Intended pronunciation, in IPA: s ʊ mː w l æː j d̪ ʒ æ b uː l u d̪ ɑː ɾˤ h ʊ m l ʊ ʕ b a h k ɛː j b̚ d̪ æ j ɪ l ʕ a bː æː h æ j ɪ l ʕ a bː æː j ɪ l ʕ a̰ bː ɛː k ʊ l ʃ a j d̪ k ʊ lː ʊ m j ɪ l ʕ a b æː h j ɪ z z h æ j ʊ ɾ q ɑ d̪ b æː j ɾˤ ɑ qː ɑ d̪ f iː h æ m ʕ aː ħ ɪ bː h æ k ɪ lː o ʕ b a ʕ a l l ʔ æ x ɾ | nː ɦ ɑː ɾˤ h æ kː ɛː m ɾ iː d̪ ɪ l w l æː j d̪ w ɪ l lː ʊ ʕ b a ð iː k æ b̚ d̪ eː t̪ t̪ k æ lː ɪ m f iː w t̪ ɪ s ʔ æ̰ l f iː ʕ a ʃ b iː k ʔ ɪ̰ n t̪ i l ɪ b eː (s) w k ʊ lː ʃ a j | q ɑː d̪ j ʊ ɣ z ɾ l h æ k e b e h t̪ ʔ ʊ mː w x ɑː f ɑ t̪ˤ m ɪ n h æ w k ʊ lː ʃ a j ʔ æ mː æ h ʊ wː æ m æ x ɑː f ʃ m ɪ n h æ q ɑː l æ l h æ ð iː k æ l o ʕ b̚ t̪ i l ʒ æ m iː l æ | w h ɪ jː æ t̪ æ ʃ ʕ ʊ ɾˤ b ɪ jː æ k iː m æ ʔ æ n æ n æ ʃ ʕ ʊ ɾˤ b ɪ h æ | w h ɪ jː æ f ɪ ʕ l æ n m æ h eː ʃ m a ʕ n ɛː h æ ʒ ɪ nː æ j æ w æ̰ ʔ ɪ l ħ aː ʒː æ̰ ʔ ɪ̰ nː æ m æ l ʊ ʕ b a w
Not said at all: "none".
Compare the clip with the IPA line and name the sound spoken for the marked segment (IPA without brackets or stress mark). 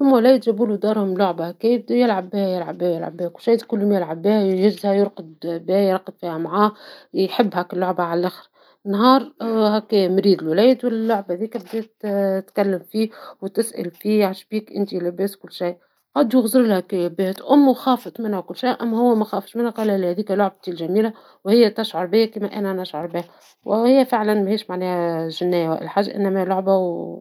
s